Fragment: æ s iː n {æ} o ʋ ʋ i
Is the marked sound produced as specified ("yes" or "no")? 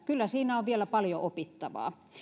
yes